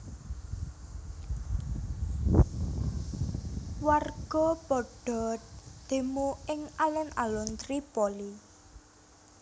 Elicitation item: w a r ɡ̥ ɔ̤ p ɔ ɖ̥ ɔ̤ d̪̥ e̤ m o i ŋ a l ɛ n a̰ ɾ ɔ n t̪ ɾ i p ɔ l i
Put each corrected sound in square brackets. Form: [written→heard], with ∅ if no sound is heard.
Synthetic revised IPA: w a r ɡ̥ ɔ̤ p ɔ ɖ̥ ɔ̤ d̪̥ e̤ m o [i→ɪ] ŋ a l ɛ n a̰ [ɾ→l] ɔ n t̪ ɾ i p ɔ l i